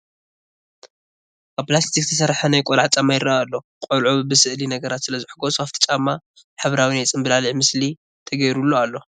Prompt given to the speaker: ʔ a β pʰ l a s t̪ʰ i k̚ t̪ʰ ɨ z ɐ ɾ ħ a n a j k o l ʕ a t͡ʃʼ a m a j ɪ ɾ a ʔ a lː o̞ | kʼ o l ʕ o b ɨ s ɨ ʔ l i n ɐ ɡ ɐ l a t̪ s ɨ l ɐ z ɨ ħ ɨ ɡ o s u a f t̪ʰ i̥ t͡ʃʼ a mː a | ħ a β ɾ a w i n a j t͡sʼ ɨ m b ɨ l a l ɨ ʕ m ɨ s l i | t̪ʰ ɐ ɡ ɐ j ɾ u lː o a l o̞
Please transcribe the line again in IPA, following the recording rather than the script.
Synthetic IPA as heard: ʔ a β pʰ l a s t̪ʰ i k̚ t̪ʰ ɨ s ɐ ɾ ħ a n a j kʼ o l ʕ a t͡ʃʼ a m a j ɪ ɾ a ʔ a lː o̞ | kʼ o l ʕ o b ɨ s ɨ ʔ l i n ɐ ɡ ɐ ɾ a t̪ s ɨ l ɐ z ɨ ħ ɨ ɡ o s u a f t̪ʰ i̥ t͡ʃʼ a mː a | ħ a β ɾ a w i n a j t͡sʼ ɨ m b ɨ l a l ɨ ʕ m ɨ s l i | t̪ʰ ɐ ɡ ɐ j ɾ u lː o a lː o̞